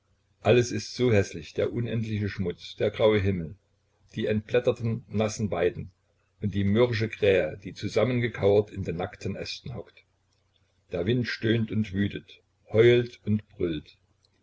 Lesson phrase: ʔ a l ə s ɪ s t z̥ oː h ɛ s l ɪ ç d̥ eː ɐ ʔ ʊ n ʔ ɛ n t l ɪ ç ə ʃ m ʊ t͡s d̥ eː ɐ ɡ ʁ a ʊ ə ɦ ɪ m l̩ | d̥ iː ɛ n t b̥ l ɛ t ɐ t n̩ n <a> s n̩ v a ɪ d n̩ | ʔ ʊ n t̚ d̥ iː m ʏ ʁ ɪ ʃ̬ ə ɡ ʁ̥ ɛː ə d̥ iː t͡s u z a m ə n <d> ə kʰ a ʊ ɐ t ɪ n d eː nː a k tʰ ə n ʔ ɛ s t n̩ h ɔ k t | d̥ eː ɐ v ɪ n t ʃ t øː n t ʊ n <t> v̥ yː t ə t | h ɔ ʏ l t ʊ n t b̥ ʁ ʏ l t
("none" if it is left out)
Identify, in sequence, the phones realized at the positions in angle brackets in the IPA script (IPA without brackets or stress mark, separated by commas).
a, ɡ, t